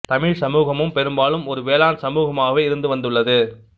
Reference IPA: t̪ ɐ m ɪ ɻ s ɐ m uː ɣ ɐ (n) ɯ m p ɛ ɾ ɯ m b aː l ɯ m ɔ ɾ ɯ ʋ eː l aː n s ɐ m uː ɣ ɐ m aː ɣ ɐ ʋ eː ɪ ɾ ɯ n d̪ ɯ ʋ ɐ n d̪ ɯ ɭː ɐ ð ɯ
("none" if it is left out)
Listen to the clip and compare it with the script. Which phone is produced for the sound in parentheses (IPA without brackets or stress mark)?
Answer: m